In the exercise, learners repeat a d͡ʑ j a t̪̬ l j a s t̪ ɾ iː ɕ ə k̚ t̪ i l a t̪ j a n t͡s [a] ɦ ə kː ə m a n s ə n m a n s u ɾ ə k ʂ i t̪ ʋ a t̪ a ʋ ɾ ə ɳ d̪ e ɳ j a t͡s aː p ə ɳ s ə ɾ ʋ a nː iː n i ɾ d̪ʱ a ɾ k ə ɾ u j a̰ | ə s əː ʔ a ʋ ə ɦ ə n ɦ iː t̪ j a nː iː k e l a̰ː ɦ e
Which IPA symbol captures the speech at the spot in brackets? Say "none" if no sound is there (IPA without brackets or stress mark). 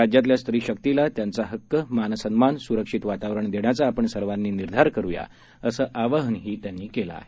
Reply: a